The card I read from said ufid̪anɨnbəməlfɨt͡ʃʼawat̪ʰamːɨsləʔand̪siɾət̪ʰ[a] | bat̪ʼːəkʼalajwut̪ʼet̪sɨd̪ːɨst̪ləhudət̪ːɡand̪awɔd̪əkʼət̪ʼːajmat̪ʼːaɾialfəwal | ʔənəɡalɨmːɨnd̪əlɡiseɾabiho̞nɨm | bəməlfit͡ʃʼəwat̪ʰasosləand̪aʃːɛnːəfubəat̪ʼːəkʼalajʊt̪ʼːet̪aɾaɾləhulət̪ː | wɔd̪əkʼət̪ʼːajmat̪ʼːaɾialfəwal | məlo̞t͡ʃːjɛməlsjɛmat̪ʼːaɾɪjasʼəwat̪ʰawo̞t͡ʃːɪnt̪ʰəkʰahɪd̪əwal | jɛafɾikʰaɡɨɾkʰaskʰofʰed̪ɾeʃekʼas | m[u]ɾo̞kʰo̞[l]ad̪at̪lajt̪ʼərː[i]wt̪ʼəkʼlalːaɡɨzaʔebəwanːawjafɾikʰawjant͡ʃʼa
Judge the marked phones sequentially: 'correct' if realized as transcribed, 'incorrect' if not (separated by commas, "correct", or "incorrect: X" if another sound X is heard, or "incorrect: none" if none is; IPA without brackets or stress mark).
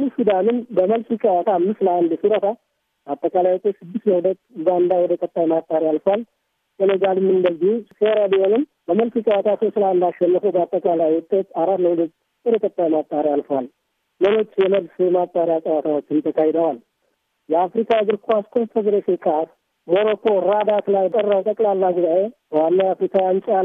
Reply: correct, incorrect: o, incorrect: ɾ, incorrect: a